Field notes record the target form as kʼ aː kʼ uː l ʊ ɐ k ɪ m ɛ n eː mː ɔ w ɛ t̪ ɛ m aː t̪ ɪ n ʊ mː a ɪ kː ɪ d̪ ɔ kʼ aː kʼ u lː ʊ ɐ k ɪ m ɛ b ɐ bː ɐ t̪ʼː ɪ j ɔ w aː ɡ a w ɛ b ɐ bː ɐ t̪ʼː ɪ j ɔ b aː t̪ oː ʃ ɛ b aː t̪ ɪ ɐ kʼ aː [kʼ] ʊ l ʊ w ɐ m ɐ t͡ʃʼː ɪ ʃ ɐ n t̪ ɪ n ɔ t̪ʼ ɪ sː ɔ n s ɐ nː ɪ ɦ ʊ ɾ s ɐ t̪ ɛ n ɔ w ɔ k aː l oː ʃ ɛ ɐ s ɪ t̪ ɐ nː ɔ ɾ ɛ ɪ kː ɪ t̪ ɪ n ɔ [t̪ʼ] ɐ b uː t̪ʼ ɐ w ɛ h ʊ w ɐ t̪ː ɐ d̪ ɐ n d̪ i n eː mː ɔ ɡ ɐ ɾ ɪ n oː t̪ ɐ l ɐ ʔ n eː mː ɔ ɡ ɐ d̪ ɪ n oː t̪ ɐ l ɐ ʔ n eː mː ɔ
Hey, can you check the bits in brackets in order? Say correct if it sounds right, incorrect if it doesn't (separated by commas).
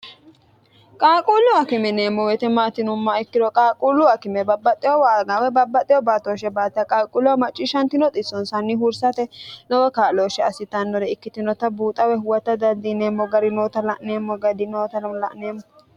correct, incorrect